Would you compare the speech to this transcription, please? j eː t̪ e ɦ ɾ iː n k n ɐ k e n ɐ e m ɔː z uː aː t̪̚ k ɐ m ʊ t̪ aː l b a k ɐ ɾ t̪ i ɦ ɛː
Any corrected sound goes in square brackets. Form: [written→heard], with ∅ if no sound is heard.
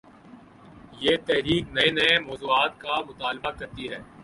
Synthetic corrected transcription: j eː t̪ [e→ɛ] ɦ ɾ iː [n→∅] k n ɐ [k→∅] e n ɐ e m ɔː z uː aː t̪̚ k [ɐ→a] m ʊ t̪ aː l b a k ɐ ɾ t̪ i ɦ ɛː